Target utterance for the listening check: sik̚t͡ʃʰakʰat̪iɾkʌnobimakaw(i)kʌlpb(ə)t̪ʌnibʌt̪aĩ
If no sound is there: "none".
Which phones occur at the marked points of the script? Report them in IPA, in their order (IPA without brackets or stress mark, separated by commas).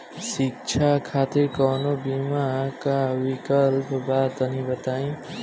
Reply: i, a